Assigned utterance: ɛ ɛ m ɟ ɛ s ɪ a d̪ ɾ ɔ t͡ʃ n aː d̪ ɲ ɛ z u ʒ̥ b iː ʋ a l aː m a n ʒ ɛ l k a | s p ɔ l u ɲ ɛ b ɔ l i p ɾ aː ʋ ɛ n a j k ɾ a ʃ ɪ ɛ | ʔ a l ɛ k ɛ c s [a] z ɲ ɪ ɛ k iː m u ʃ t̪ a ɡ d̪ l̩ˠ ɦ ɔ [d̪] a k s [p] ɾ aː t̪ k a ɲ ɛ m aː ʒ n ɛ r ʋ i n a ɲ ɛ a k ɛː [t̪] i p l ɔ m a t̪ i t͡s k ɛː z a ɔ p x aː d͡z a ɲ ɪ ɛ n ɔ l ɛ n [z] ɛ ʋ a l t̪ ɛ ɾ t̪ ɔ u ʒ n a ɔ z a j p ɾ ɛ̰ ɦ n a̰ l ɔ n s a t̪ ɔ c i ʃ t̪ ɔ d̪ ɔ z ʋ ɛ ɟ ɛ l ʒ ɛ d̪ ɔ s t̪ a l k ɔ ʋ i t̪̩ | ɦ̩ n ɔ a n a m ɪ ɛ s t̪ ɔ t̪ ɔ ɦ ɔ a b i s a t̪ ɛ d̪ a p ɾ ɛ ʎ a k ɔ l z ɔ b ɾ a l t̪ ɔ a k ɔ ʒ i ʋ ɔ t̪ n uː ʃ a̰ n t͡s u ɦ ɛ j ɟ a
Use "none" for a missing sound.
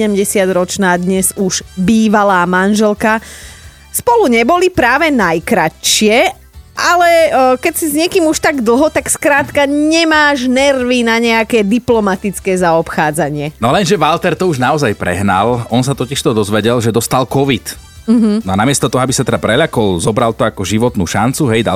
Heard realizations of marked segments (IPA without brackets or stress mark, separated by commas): i, t̪, k, d̪, ʒ